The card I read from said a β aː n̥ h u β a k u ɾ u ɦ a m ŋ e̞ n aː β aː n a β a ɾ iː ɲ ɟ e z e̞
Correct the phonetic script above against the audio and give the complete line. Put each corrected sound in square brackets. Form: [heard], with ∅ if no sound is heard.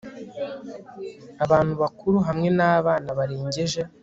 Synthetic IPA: a β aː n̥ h u β a k u ɾ u ɦ a m ŋ e̞ n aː β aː n a β a ɾ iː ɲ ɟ e [ʒ] e̞